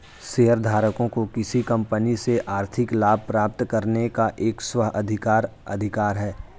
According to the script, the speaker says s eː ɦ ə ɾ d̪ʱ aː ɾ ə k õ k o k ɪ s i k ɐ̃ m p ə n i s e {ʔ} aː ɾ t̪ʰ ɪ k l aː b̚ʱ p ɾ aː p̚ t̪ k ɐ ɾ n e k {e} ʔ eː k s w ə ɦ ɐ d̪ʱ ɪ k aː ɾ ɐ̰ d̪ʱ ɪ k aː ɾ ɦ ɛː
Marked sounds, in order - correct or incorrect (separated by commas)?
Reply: correct, incorrect